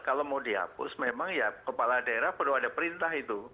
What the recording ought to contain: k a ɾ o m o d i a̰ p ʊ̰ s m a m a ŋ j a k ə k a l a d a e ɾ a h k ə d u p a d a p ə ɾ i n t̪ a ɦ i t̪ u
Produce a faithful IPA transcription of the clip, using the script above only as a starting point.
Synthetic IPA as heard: k a l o m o d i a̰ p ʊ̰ s m e m a ŋ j a k ə p a l a d a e ɾ a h p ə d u a d a p ə ɾ i n t̪ a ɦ i t̪ u